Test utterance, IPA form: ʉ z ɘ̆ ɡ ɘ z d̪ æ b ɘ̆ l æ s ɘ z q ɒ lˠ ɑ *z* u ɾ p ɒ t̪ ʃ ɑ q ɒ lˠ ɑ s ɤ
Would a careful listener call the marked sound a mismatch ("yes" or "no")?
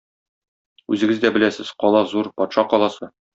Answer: no